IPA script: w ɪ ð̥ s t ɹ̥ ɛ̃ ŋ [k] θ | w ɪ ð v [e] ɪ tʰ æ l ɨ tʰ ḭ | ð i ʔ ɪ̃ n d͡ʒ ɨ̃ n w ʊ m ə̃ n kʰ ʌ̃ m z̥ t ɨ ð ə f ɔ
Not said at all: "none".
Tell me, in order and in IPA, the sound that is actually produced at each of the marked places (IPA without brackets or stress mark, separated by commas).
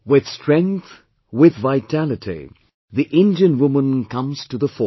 k, a